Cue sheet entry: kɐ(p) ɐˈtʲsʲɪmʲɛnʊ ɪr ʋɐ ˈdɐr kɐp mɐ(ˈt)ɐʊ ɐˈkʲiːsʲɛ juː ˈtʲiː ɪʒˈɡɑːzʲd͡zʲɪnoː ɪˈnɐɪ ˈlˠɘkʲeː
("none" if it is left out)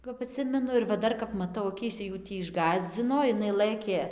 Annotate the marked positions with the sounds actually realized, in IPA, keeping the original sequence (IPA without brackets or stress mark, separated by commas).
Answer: p, t